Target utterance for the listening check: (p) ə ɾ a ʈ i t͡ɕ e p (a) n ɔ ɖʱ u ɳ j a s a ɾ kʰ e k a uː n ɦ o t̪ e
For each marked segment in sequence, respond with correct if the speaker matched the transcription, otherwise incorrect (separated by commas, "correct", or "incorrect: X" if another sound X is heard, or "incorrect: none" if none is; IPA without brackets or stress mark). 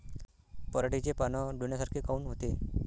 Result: correct, correct